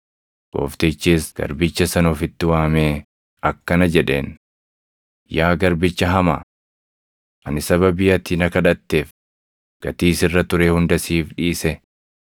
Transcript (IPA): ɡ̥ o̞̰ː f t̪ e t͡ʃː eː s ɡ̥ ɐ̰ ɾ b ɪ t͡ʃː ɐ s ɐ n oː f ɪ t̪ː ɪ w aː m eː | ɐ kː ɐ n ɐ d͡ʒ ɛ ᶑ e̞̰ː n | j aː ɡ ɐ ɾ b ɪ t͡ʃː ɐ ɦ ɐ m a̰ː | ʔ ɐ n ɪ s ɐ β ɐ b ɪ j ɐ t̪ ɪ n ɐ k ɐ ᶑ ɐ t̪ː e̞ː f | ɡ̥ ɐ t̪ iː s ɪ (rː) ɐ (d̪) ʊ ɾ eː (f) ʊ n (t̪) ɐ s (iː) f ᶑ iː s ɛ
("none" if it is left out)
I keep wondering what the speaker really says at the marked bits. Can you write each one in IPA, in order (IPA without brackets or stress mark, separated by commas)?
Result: rː, t̪, h, d̪, iː